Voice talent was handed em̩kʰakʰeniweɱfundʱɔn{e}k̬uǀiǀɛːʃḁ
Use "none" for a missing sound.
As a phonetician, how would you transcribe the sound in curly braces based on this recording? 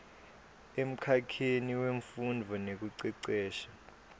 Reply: e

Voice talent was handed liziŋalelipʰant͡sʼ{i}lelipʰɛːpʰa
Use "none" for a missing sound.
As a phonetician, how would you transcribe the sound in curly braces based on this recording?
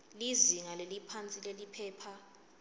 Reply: i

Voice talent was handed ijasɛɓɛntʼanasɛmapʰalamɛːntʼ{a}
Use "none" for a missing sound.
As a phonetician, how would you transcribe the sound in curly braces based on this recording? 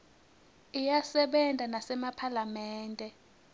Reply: ɛ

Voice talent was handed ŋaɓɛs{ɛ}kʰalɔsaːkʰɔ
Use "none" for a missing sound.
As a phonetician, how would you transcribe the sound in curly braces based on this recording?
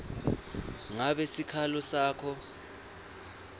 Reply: i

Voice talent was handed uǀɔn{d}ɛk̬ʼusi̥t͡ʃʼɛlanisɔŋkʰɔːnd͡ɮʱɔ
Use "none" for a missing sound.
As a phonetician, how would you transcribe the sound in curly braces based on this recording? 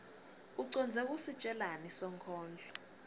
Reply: d͡zʱ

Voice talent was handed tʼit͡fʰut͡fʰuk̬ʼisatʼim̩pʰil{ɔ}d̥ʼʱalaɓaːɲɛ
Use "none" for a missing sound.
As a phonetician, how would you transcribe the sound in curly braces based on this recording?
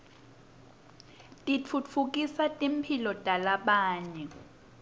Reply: ɔ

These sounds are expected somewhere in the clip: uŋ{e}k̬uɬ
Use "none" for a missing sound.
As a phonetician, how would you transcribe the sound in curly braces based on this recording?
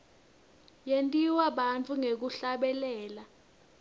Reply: e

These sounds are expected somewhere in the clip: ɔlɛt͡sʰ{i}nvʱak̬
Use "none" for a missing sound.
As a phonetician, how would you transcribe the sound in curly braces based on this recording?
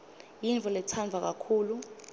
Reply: a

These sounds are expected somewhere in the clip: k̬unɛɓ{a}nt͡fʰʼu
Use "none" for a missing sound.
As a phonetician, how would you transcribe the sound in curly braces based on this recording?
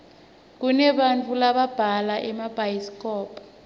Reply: a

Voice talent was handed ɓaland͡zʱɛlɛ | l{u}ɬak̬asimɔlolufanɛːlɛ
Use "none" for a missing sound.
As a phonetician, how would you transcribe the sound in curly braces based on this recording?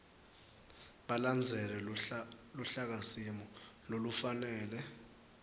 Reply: u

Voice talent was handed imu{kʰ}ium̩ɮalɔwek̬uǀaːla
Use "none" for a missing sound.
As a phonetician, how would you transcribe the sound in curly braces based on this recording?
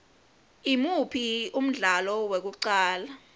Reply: pʰ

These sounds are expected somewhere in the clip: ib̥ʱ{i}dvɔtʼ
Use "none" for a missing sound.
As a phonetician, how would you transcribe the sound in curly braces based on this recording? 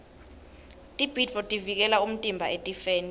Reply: i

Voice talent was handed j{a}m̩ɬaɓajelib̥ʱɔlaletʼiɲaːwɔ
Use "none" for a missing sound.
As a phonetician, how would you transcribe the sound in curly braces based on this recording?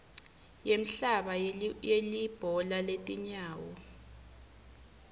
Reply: e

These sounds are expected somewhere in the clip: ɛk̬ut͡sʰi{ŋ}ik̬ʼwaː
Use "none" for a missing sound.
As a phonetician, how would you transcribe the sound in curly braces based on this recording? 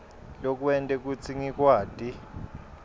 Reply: ŋ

